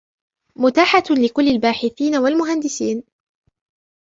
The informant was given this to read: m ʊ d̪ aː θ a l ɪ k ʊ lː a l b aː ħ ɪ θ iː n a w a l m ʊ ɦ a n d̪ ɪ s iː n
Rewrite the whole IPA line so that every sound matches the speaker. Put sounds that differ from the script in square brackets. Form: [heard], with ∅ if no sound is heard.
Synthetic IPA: m ʊ [t̪] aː [ħ] a l ɪ k ʊ lː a l b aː ħ ɪ θ iː n a w a l m ʊ ɦ a n d̪ ɪ s iː n